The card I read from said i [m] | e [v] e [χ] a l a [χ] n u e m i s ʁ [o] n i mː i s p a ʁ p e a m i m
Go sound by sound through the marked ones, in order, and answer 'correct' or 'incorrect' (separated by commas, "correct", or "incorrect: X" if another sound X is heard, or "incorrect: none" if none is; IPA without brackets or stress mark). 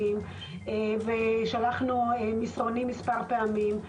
correct, correct, incorrect: ʃ, correct, correct